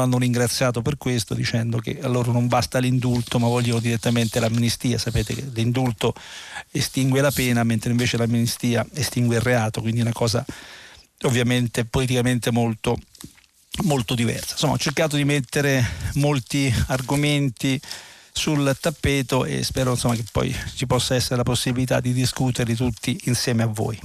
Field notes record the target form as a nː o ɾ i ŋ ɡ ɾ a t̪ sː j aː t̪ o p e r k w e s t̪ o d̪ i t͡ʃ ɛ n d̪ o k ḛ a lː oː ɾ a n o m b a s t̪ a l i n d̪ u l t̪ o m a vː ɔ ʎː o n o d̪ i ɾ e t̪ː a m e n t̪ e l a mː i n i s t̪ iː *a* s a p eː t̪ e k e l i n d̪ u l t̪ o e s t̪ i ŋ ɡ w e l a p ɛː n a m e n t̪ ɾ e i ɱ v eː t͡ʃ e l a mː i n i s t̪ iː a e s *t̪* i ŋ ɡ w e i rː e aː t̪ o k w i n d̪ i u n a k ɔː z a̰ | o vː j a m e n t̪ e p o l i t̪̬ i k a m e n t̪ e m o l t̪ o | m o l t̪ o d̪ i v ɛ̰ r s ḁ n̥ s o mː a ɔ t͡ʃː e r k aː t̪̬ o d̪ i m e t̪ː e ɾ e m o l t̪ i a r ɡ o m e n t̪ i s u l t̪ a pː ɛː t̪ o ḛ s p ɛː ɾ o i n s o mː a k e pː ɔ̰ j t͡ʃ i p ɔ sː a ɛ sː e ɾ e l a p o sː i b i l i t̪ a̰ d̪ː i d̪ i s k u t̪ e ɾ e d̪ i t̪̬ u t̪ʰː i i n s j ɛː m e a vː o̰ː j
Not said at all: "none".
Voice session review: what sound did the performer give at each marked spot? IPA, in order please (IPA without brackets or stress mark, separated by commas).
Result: a, t̪